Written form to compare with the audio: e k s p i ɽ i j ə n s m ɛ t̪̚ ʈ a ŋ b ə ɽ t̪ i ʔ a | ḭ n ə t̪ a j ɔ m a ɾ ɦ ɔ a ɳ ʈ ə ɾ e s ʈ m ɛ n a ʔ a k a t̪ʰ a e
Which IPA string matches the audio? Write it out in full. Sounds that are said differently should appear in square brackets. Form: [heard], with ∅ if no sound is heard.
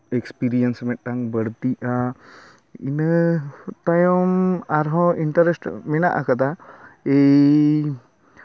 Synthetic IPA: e k s p i [ɾ] i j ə n s m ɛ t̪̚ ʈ a ŋ b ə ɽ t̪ i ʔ a | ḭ n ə t̪ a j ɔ m a ɾ ɦ ɔ [i] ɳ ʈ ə ɾ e s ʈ m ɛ n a ʔ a k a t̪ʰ a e